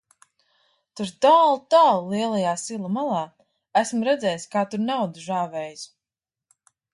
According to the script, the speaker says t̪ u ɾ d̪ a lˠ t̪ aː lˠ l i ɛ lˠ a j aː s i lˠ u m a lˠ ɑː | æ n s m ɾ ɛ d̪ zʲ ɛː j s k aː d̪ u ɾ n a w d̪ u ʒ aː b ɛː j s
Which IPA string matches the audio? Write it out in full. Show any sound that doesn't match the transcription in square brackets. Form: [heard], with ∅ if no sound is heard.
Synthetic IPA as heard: t̪ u ɾ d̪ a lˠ t̪ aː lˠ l i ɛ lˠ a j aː s i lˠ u m a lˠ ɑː | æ [∅] s m ɾ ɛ d̪ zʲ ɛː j s k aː [t̪] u ɾ n a w d̪ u ʒ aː [v] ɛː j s